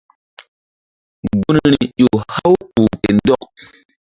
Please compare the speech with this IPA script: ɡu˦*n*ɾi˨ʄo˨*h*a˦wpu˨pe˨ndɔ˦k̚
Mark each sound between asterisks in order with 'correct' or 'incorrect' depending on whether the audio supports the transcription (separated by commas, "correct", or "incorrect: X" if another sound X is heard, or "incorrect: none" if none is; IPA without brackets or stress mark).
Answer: correct, correct